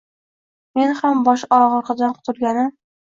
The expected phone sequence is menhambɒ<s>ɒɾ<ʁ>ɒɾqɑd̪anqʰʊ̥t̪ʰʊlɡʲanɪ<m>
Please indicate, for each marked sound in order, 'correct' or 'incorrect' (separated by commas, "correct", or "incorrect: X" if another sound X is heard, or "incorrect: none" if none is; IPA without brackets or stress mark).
incorrect: ʃ, correct, correct